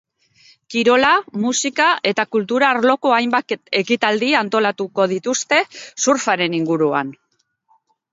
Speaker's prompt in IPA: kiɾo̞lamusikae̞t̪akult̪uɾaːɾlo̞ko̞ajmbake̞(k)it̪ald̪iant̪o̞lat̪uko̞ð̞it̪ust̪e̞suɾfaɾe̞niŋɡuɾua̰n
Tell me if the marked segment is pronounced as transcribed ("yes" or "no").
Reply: yes